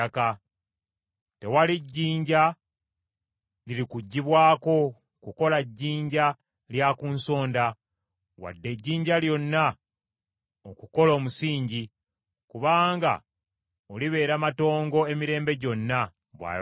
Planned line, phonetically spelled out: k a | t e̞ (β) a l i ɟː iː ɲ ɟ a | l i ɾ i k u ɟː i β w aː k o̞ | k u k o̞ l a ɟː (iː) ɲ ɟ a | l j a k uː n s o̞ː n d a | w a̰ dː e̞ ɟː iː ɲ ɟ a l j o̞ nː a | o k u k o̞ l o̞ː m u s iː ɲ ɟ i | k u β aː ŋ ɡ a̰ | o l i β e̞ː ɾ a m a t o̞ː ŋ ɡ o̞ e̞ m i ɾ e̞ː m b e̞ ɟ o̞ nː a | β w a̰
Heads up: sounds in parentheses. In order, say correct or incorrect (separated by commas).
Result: incorrect, correct